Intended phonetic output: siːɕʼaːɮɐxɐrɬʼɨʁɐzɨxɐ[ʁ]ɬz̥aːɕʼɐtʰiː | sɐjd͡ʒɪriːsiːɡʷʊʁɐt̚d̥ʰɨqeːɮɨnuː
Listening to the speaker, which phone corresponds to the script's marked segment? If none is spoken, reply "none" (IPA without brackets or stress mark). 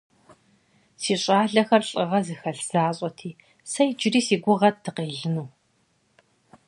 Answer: none